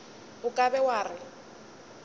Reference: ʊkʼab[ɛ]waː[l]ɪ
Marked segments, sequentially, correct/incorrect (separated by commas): correct, incorrect